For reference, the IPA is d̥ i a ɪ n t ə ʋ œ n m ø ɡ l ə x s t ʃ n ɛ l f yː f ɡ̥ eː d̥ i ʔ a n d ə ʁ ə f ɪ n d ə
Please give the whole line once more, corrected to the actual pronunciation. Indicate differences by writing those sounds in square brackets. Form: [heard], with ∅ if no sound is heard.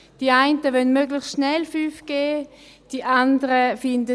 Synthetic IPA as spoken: d̥ i a ɪ n t ə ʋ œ n m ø ɡ l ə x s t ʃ n ɛ l f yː f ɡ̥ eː d̥ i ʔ a n d ə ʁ ə f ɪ n d ə